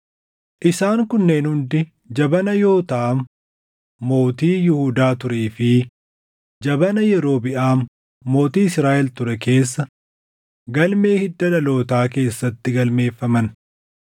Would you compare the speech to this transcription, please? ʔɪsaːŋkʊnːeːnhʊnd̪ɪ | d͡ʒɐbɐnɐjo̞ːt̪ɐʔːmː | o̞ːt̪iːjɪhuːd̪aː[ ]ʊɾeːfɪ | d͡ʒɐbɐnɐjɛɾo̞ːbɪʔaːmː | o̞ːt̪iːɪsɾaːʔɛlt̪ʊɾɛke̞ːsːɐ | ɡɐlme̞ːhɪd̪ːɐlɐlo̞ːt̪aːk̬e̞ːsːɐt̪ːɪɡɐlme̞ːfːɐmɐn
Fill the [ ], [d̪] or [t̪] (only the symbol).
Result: t̪